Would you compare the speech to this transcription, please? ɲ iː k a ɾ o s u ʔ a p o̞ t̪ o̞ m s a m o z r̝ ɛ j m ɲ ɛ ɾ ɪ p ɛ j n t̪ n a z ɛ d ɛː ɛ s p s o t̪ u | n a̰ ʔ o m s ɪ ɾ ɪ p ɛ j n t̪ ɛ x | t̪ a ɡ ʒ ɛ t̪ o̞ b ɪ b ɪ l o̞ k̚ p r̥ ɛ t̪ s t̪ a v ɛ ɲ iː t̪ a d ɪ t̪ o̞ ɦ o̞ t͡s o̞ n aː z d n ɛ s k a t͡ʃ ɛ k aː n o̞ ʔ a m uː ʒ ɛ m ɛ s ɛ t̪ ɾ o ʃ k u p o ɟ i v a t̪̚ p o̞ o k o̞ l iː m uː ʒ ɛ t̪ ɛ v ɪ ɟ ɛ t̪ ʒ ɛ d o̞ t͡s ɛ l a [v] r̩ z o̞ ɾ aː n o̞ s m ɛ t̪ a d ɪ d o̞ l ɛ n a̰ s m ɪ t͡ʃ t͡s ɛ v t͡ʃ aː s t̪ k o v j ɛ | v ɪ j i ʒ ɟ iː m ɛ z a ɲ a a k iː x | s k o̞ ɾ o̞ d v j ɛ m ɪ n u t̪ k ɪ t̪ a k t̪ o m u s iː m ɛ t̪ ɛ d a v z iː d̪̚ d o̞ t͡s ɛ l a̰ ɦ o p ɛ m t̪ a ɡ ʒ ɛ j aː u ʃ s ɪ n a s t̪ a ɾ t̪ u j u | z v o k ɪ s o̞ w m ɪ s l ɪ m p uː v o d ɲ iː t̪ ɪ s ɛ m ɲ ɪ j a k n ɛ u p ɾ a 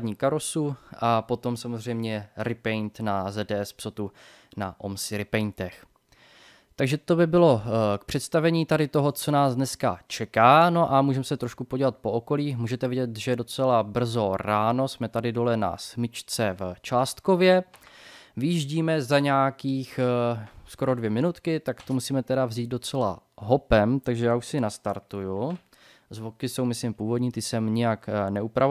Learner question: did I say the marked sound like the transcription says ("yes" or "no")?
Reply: no